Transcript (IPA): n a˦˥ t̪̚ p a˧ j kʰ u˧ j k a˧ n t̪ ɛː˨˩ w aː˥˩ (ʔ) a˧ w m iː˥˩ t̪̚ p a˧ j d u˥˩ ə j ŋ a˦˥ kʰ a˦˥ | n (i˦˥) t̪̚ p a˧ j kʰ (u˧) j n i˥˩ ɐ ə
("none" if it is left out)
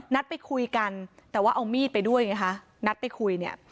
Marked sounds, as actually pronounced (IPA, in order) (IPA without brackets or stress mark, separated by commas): ʔ, a˦˥, u˧